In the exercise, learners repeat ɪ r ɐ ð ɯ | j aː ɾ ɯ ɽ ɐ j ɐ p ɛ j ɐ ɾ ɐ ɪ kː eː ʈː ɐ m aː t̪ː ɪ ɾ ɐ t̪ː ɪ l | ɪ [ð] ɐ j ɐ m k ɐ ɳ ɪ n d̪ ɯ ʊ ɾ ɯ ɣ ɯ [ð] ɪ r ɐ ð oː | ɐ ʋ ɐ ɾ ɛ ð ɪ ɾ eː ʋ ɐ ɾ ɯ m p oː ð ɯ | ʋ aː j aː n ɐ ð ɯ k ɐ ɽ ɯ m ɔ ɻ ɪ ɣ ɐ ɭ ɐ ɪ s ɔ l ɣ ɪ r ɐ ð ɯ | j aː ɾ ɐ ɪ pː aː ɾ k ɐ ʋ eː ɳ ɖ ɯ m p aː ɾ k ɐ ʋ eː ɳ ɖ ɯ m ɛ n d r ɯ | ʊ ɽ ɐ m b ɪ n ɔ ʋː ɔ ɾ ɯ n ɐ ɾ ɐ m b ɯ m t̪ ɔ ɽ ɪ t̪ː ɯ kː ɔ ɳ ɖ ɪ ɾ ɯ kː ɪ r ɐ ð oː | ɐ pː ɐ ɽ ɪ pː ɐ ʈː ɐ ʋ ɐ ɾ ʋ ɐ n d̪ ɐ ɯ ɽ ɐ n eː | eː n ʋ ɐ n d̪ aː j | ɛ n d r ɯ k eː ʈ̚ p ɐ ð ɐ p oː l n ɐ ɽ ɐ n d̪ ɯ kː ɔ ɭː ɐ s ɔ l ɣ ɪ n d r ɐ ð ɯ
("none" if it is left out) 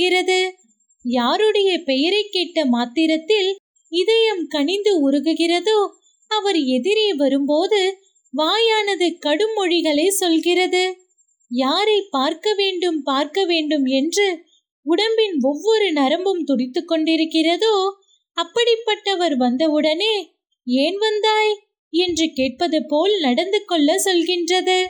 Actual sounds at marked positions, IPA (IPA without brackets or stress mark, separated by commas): ð, ɣ